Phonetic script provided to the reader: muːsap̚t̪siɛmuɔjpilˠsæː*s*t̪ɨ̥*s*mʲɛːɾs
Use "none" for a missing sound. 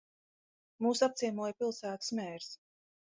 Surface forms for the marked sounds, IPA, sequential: none, s

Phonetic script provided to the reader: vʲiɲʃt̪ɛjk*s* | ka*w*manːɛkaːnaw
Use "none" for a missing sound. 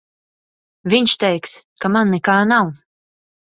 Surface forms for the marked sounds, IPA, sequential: s, none

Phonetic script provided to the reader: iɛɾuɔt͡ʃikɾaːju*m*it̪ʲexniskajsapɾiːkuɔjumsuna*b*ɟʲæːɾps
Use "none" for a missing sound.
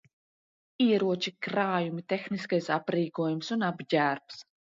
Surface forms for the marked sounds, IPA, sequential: m, b

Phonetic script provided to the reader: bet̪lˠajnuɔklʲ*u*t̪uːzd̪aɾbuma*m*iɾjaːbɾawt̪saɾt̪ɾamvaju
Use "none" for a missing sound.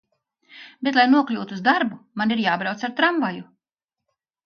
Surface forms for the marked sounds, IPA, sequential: uː, n

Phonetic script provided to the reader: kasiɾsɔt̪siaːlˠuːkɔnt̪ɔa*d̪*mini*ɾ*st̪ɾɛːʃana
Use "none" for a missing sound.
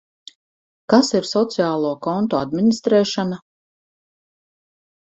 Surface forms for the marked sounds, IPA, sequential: d̪, none

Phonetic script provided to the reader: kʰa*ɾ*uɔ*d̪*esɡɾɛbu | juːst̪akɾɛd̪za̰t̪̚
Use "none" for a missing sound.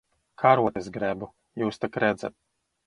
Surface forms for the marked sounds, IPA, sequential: ɾ, t̪

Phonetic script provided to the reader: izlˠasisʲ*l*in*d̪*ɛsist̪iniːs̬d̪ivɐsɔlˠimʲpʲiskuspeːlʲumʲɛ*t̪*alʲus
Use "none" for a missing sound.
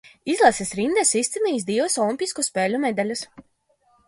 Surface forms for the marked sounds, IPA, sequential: ɾ, d̪, d̪

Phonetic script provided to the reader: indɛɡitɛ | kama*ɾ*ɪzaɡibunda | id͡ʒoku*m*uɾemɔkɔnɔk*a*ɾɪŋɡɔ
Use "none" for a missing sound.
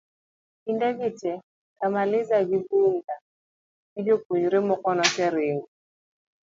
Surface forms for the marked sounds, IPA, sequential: l, ɲ, ɛ

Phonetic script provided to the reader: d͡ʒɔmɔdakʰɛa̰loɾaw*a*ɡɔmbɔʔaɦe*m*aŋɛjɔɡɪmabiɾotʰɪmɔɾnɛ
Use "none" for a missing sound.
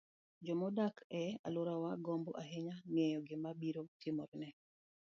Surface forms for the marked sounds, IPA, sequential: a, ɲ

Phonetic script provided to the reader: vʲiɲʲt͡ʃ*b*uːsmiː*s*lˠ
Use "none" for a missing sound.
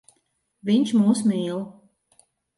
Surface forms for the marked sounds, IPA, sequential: m, none

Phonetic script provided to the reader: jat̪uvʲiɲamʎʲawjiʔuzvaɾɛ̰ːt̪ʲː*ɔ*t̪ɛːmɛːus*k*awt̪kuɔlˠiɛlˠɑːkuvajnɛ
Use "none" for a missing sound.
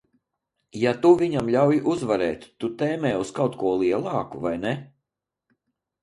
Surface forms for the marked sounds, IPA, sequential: u, k

